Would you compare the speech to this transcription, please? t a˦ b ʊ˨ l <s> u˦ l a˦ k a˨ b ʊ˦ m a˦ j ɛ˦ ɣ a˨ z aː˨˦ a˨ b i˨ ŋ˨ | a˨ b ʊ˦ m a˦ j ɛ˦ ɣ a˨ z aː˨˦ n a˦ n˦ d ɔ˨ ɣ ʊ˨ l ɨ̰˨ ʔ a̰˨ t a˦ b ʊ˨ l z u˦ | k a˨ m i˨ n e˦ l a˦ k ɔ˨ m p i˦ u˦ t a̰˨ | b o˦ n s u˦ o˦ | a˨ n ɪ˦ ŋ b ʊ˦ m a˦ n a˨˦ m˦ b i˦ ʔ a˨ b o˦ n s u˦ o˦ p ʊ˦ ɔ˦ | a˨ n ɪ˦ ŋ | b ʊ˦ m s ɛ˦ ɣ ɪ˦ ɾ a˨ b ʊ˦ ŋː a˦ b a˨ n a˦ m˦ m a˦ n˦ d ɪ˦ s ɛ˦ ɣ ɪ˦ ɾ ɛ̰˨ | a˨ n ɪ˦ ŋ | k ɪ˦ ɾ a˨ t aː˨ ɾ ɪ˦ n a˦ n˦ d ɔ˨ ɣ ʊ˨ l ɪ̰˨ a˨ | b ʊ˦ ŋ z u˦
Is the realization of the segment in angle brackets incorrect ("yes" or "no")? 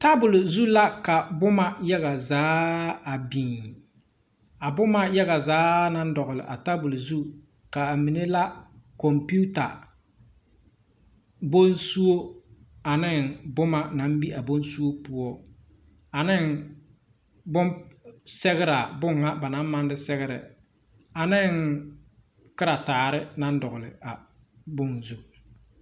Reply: yes